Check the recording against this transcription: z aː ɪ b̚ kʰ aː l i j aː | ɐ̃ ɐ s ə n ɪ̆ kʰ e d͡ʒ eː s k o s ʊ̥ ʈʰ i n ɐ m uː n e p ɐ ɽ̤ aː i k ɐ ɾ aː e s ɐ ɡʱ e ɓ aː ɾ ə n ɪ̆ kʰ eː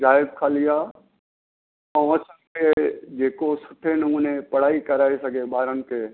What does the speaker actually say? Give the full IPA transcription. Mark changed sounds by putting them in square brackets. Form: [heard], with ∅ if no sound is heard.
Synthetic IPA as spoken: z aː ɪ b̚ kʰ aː l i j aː | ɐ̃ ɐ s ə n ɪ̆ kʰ e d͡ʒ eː [∅] k o s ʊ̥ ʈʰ [e] n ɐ m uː n e p ɐ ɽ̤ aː i k ɐ ɾ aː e s ɐ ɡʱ e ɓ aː ɾ ə n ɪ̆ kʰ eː

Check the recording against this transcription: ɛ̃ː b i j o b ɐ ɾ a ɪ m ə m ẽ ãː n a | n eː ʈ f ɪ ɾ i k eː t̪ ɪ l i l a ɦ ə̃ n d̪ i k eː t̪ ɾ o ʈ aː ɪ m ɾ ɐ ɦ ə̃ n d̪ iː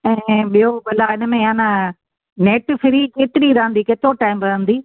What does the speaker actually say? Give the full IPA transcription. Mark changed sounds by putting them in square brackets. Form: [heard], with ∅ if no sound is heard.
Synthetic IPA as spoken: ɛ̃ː [ɓ] i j o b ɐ [l] a ɪ [n] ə m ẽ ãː n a | n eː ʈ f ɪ ɾ i k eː t̪ ɪ [ɾ] i [ɾ] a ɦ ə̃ n d̪ i k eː t̪ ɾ o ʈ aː ɪ m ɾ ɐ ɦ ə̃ n d̪ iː

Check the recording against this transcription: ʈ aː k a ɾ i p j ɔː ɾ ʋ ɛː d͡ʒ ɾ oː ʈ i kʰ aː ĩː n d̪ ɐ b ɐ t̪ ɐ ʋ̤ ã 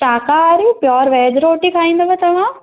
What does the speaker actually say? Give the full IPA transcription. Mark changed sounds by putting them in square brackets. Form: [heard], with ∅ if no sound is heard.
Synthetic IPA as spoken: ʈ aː k a ɾ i p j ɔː ɾ ʋ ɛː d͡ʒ ɾ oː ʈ i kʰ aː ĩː n d̪ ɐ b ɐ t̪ ɐ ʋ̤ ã

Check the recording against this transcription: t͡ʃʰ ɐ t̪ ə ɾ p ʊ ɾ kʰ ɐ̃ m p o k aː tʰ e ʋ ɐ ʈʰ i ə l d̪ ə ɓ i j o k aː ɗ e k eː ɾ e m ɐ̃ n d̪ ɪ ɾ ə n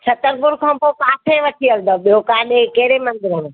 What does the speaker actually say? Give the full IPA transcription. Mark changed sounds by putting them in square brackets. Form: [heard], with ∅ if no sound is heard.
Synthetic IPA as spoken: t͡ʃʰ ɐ t̪ ə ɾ p ʊ ɾ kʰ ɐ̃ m p o k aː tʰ e ʋ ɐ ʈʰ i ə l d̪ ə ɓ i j o k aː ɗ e k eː ɾ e m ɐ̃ n d̪ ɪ ɾ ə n

